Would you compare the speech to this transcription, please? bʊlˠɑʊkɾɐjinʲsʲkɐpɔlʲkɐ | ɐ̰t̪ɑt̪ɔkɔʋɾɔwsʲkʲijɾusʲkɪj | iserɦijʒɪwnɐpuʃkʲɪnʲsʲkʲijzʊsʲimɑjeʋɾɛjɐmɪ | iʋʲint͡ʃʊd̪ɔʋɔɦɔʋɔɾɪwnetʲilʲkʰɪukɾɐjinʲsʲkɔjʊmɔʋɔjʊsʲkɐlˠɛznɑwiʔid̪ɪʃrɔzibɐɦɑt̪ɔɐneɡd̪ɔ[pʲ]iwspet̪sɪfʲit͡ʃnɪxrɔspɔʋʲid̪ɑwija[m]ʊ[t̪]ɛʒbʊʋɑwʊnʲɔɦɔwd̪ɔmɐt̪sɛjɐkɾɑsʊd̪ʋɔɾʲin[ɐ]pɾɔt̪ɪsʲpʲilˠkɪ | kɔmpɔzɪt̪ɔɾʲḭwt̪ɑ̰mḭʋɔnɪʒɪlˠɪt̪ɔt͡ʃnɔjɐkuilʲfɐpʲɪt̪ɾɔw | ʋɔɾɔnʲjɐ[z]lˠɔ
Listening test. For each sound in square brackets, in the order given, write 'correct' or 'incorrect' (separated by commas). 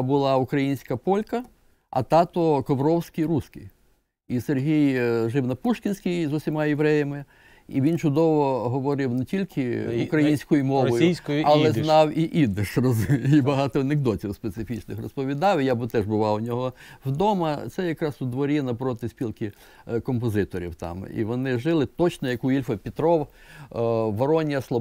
incorrect, incorrect, correct, correct, incorrect